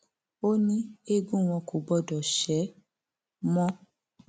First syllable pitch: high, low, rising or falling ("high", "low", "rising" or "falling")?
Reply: high